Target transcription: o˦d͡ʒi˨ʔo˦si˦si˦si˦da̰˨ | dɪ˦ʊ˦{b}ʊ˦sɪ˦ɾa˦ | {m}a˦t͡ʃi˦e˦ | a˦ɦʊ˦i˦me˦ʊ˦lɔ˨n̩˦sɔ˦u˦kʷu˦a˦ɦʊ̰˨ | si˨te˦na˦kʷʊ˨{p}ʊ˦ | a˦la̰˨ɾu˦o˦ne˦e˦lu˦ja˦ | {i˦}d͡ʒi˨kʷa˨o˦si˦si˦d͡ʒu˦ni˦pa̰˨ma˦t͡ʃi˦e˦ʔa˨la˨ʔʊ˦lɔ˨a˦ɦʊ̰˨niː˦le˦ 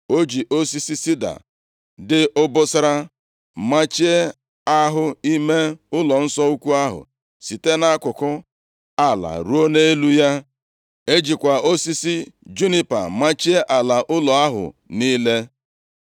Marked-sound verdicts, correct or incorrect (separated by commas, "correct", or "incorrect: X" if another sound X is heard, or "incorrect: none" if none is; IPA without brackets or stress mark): correct, correct, incorrect: k, incorrect: e˦